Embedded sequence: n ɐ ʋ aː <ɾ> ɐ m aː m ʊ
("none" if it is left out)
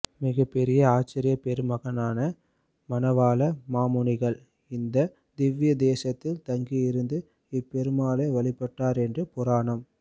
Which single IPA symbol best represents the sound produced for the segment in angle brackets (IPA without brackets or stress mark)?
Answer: l